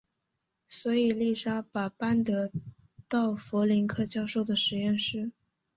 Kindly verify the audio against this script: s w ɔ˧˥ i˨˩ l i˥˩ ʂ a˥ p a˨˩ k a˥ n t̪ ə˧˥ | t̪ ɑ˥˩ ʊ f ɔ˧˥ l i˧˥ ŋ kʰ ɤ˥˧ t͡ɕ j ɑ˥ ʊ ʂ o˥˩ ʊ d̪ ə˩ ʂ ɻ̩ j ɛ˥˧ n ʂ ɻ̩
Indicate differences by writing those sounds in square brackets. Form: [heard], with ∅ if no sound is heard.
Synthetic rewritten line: s w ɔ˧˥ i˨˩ l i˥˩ ʂ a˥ p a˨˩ [p] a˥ n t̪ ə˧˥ | t̪ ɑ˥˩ ʊ f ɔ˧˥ l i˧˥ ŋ kʰ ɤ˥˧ t͡ɕ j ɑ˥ ʊ ʂ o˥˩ ʊ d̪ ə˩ ʂ ɻ̩ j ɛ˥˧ n ʂ ɻ̩